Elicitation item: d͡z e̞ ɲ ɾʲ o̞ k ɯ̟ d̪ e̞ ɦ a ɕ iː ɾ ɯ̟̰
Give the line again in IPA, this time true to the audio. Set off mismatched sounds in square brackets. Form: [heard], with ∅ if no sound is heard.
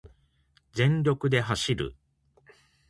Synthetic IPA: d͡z [ẽ̞] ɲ ɾʲ o̞ k ɯ̟ d̪ e̞ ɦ a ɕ [i] ɾ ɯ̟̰

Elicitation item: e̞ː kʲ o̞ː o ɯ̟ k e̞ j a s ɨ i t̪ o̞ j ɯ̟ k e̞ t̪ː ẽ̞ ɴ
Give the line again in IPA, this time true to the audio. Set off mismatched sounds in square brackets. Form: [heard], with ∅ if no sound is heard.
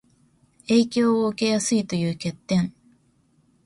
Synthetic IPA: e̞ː kʲ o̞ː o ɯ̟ k e̞ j a s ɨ i t̪ o̞ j [ɯ̟ː] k e̞ t̪ː ẽ̞ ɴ

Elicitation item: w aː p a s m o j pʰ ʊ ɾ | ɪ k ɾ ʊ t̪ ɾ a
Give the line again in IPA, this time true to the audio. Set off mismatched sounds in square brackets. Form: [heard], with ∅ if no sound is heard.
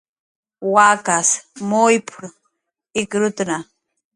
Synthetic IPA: w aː [k] a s m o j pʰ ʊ ɾ | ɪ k ɾ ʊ t̪ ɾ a

